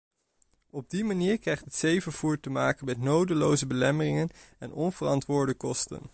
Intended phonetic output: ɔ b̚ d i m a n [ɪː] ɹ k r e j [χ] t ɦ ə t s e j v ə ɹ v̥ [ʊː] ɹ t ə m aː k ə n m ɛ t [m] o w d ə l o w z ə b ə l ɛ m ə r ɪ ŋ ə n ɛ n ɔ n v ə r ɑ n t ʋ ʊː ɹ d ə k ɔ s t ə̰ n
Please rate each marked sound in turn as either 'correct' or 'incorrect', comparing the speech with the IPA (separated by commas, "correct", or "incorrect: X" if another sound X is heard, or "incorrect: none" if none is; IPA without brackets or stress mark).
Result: incorrect: iː, correct, incorrect: uː, incorrect: n